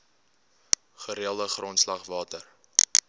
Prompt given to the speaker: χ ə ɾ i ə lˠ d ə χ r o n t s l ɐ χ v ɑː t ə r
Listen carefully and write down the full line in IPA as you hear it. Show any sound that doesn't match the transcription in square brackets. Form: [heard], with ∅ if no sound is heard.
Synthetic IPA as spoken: χ ə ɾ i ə lˠ d ə χ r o n t s l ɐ χ v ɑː t ə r